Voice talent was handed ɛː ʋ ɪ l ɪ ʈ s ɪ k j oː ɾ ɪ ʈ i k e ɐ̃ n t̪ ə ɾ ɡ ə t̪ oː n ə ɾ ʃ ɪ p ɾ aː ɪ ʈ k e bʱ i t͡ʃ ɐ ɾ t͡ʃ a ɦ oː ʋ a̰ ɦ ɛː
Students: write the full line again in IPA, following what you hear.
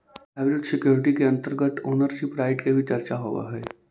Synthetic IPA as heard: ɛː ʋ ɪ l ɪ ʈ s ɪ k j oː ɾ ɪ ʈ i k e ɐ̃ n t̪ ə ɾ ɡ ə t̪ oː n ə ɾ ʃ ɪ p ɾ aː ɪ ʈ k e bʱ i t͡ʃ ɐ ɾ t͡ʃ a ɦ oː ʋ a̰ ɦ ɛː